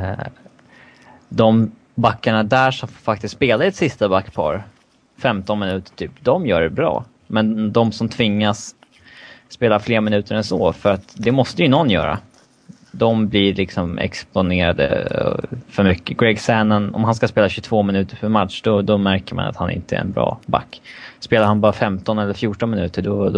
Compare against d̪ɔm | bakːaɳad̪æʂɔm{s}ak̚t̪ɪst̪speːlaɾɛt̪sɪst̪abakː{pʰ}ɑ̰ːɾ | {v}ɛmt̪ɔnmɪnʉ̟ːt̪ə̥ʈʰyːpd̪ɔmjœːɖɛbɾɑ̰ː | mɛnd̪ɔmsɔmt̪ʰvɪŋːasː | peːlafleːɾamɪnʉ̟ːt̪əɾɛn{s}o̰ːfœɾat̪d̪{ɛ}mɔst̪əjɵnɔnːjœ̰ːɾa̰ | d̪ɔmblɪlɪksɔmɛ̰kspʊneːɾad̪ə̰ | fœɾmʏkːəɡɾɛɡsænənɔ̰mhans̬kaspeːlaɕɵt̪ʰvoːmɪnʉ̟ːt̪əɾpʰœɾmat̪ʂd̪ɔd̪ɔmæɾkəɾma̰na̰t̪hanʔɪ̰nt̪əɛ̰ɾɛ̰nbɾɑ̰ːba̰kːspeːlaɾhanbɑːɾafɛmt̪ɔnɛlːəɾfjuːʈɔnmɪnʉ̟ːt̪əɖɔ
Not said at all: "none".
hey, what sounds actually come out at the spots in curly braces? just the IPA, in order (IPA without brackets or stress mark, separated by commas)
f, pʰ, f, s, ɛ